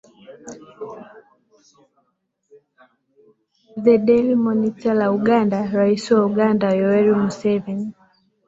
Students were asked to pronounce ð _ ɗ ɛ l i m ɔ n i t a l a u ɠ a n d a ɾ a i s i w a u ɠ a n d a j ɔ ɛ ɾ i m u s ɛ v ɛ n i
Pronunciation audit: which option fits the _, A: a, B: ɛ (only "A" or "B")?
B